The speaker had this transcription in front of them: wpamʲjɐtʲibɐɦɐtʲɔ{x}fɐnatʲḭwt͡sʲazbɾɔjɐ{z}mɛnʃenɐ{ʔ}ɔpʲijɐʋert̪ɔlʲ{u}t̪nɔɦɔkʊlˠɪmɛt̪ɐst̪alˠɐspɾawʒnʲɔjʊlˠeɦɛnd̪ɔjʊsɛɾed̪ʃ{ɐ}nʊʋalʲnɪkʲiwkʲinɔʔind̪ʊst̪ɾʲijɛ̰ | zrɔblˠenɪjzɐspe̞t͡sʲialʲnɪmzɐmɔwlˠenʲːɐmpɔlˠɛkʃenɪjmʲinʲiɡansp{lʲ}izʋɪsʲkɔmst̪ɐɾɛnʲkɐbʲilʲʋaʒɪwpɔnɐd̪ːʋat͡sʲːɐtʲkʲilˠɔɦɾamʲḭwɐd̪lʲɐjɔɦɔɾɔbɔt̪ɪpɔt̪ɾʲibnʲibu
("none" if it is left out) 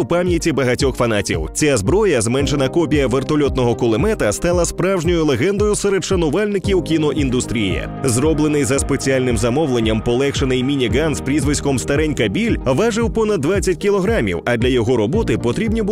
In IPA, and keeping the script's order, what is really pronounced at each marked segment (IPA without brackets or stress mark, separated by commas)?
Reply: x, z, k, ɔ, ɐ, ɾʲ